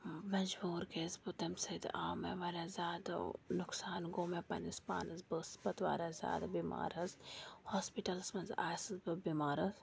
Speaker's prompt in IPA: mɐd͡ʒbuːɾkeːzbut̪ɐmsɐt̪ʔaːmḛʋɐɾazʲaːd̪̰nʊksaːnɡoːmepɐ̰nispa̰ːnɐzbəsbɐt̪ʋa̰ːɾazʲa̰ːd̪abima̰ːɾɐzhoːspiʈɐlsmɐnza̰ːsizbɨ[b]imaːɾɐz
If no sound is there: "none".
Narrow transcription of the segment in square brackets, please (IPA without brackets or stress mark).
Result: b